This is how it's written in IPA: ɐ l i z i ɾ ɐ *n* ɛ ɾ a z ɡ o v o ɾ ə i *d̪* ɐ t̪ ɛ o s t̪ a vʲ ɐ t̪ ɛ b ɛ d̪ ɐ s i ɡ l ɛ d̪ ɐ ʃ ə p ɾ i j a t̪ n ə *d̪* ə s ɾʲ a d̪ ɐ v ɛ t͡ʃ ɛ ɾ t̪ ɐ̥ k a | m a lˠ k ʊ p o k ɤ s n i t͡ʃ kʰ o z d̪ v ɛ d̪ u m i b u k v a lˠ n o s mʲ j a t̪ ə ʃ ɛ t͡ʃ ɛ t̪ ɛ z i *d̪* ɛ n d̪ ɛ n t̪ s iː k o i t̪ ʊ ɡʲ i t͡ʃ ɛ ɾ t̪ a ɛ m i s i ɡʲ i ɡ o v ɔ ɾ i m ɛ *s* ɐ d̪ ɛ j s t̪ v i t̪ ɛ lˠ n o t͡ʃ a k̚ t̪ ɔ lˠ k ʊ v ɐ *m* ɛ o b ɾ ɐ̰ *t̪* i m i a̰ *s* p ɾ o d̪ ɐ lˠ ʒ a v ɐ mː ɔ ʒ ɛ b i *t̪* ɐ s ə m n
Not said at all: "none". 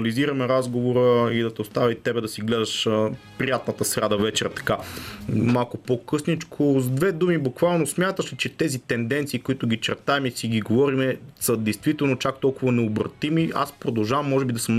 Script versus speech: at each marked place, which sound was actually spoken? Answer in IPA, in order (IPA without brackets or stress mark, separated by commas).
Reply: m, d̪, t̪, t̪, s, n, t̪, s, d̪